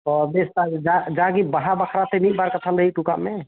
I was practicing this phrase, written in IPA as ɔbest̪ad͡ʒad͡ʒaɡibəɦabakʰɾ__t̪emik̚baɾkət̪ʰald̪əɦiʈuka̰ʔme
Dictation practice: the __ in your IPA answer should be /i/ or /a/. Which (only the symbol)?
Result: a